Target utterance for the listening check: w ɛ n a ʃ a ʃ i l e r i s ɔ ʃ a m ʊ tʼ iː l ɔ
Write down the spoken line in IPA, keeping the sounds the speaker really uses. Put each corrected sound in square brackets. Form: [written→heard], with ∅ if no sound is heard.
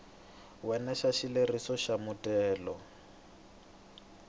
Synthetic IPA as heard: w ɛ n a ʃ a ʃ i l e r i s ɔ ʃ a m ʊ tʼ [iː→ɛː] l ɔ